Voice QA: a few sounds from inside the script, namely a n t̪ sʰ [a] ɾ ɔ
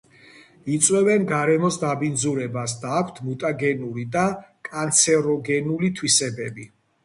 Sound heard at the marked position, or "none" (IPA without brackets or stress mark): ɛ